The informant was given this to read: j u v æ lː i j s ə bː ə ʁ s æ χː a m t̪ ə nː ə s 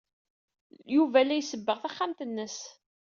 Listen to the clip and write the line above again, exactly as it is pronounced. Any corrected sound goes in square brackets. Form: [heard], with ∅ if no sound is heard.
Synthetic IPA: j u v æ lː [æ] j s ə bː ə ʁ [θ] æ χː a m t̪ ə nː ə s

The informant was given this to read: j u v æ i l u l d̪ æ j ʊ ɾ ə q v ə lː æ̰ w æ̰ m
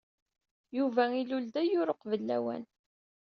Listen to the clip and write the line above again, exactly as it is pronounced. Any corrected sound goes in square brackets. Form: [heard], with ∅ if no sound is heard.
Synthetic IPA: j u v æ i l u l d̪ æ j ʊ ɾ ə q v ə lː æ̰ w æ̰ [n]

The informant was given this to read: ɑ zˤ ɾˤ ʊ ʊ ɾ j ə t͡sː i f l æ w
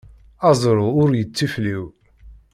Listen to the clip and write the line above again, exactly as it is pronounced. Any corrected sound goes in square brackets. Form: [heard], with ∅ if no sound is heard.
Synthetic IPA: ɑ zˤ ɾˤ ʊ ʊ ɾ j ə t͡sː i f l [i] w

